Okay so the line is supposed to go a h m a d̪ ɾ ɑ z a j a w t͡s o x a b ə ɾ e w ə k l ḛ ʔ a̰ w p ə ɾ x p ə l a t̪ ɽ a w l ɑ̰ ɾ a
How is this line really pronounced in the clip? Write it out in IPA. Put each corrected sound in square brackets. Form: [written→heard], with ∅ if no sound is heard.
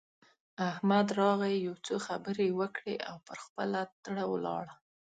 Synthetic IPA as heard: a h m a d̪ ɾ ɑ [z→ɣ] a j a w t͡s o x a b ə ɾ e w ə k [l→ɽ] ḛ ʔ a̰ w p ə ɾ x p ə l a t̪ ɽ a w l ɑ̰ [ɾ→ɽ] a